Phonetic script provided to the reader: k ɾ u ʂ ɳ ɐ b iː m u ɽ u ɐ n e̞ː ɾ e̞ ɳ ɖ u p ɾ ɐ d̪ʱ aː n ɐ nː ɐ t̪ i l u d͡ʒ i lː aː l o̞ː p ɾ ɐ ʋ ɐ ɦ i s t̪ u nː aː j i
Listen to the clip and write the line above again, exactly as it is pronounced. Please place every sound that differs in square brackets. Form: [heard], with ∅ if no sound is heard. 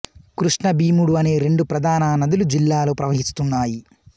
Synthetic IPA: k ɾ u ʂ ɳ ɐ b iː m u ɽ u ɐ n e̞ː ɾ e̞ ɳ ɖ u p ɾ ɐ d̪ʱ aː n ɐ [n] ɐ [d̪] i l u d͡ʒ i lː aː l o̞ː p ɾ ɐ ʋ ɐ ɦ i s t̪ u nː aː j i